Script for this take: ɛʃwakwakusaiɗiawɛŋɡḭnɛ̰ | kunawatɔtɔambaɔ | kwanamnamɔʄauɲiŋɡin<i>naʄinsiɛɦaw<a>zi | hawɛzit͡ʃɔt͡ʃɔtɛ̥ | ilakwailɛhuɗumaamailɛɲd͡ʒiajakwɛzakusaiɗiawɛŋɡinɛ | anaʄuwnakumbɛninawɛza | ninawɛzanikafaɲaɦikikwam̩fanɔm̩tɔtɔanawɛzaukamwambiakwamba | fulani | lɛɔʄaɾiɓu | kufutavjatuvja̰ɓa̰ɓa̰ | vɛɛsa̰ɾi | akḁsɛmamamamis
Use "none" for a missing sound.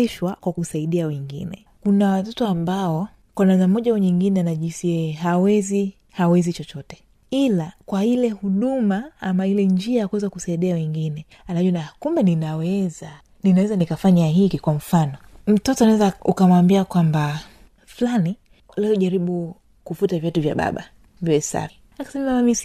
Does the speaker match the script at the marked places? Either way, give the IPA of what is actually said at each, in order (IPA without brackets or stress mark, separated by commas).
ɛ, ɛ